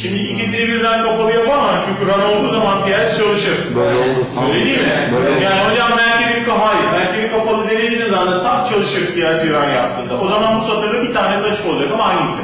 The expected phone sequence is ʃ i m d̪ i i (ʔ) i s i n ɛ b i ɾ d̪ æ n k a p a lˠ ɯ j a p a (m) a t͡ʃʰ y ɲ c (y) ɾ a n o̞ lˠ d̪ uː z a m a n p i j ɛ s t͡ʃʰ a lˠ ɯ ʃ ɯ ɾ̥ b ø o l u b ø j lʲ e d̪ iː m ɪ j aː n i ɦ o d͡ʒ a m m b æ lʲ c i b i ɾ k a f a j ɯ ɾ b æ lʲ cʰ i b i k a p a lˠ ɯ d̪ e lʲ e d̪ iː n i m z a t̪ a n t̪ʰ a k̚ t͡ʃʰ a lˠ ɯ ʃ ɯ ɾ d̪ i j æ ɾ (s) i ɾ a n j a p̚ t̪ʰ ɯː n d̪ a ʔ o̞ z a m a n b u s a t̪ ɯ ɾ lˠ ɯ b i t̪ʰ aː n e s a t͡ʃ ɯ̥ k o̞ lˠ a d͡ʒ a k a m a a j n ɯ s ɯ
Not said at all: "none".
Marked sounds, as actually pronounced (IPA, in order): c, m, y, s

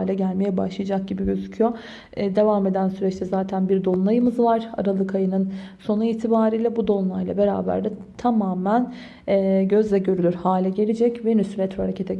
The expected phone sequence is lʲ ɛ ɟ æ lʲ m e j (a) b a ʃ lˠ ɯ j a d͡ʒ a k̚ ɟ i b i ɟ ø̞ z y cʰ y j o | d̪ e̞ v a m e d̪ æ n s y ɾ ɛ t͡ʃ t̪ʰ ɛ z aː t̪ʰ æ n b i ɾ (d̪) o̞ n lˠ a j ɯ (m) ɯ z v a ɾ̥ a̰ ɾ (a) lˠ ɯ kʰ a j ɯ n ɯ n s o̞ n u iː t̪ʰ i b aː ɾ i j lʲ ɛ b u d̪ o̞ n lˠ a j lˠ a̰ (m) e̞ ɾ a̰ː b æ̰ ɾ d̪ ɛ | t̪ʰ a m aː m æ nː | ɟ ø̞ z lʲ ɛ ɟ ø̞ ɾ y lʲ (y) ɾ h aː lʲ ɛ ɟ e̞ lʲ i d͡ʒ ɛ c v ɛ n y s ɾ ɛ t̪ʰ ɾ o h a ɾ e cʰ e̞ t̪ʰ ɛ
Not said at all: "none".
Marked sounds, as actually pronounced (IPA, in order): ɛ, d̪, m, a, b, y

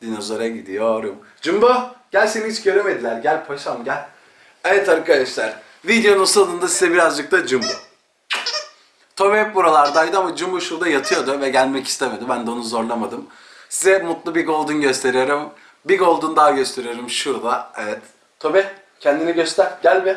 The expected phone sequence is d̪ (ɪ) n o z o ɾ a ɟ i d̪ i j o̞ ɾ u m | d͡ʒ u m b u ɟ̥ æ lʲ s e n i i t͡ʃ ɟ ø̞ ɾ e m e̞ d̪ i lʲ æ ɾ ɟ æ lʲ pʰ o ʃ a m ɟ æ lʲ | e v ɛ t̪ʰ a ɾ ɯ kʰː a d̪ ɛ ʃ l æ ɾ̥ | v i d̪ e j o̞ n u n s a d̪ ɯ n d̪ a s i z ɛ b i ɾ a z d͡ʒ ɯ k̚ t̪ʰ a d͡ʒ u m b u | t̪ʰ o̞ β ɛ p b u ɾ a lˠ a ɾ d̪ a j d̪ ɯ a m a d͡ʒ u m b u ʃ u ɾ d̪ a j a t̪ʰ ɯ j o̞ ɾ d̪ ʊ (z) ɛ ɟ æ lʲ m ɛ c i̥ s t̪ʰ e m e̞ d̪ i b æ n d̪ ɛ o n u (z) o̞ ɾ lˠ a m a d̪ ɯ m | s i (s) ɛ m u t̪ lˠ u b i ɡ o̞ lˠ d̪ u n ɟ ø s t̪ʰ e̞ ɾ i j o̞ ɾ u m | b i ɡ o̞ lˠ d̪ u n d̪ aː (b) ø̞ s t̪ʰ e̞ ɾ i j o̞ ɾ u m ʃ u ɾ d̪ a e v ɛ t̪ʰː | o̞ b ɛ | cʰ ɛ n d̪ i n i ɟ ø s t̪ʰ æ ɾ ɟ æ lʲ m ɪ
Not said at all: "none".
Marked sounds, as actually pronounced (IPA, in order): i, v, z, z, ɟ

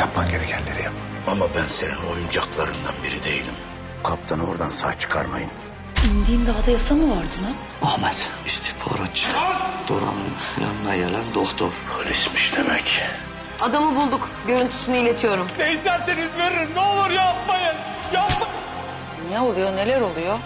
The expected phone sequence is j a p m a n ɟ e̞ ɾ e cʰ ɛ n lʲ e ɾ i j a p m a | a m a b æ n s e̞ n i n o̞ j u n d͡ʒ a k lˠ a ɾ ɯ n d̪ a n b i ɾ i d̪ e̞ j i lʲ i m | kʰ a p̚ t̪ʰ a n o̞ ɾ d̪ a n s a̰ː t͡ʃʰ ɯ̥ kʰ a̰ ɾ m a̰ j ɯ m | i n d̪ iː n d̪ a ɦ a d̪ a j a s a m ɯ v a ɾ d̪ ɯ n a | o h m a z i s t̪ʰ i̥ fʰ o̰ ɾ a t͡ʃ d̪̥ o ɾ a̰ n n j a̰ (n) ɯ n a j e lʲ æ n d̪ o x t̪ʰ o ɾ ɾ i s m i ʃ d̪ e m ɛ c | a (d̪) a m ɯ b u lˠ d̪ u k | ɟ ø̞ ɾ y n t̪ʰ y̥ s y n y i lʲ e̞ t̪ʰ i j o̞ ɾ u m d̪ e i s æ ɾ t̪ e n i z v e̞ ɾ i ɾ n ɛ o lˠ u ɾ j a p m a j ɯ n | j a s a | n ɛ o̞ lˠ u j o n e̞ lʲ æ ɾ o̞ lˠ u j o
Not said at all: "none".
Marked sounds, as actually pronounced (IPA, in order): n, d̪

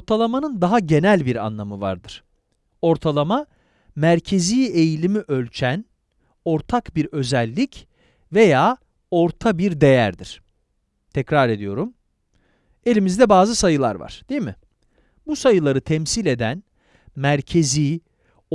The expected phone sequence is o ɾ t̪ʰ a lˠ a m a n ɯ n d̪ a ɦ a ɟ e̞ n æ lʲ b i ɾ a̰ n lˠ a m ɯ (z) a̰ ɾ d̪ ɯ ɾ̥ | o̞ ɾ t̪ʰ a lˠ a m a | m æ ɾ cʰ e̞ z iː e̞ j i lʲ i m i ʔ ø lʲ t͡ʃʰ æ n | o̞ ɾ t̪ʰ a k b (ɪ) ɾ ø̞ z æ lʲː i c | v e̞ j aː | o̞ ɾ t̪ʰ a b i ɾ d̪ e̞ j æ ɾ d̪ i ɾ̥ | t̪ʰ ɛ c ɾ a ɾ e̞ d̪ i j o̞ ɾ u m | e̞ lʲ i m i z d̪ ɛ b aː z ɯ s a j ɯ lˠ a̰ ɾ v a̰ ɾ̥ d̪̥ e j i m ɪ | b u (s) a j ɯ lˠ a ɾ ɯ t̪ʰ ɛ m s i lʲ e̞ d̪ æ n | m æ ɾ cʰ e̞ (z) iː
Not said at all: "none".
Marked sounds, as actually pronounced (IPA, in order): v, i, s, z

